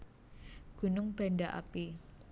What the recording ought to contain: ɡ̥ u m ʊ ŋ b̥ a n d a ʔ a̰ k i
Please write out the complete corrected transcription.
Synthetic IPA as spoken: ɡ̥ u n ʊ ŋ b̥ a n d a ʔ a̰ p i